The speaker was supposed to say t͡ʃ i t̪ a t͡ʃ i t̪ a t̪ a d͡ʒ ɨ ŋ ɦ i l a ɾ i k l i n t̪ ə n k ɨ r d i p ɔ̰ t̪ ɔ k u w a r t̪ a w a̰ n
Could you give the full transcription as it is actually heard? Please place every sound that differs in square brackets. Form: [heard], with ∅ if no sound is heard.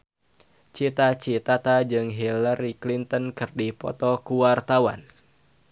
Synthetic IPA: t͡ʃ i t̪ a t͡ʃ i t̪ a t̪ a d͡ʒ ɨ ŋ ɦ i l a ɾ i k l i n t̪ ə n k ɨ r d i p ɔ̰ t̪ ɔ k u w a r t̪ a w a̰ n